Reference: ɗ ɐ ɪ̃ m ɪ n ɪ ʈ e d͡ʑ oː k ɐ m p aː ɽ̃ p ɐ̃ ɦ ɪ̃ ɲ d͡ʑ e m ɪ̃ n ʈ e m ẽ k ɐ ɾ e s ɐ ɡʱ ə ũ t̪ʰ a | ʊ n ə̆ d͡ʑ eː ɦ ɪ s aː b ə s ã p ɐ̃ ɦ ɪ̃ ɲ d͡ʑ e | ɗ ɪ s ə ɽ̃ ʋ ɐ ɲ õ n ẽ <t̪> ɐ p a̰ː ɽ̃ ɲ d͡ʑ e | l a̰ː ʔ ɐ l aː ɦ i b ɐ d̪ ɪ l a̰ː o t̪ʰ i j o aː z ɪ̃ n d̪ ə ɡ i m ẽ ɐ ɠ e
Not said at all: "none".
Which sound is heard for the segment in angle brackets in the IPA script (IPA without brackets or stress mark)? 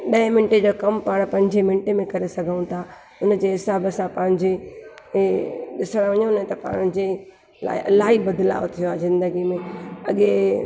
t̪